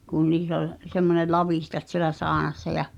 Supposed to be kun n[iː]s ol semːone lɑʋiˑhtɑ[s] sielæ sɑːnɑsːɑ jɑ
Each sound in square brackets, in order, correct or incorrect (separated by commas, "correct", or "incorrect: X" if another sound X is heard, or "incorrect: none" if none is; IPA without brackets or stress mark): correct, incorrect: t